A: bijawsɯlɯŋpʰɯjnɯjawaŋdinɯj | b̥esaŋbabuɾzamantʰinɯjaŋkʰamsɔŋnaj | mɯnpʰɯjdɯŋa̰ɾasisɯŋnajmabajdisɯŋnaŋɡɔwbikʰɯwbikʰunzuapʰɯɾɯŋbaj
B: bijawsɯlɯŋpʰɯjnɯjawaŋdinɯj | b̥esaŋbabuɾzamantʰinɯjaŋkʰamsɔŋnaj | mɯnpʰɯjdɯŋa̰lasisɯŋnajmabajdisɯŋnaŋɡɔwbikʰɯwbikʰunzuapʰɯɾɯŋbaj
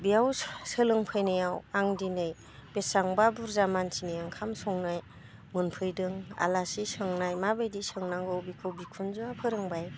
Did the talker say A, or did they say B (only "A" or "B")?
B